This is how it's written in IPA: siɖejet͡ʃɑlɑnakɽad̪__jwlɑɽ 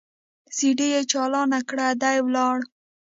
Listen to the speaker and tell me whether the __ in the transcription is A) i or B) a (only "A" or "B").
B